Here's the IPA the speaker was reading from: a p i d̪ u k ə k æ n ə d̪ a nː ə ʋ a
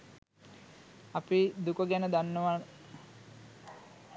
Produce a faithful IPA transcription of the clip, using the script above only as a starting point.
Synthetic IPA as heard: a p i d̪ u k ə ɡ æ n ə d̪ a nː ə ʋ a